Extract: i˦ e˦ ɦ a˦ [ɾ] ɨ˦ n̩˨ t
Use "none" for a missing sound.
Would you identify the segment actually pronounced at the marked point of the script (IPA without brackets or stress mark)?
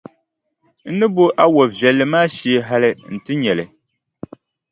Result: l